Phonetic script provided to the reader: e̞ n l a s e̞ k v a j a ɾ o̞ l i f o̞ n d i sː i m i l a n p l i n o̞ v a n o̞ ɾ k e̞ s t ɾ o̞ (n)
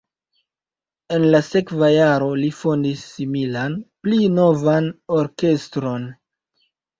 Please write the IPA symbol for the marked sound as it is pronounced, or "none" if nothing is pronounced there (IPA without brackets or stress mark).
n